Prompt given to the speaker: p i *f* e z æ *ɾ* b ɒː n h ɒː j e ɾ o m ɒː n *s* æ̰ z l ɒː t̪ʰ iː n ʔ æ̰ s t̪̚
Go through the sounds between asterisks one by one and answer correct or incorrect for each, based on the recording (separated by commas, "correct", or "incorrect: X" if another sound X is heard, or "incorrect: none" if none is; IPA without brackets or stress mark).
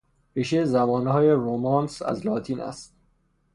incorrect: ʃ, incorrect: none, correct